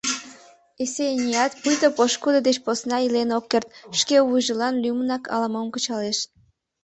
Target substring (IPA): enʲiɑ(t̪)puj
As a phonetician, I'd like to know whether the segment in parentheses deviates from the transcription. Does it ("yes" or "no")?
no